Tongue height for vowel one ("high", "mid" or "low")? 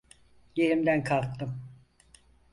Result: mid